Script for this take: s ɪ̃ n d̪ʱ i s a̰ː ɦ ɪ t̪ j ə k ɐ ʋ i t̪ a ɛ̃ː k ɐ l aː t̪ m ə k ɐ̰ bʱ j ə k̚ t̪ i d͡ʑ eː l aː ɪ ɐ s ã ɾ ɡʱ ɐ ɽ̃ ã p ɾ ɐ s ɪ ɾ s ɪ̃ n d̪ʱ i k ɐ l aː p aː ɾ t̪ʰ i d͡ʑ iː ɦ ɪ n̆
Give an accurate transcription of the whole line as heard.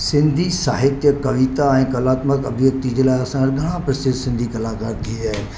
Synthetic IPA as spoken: s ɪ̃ n d̪ʱ i s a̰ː ɦ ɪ t̪ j ə k ɐ ʋ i t̪ a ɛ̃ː k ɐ l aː t̪ m ə k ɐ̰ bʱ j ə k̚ t̪ i d͡ʑ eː l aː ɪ ɐ s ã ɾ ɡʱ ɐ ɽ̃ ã p ɾ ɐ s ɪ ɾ s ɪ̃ n d̪ʱ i k ɐ l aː k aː ɾ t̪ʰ i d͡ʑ aː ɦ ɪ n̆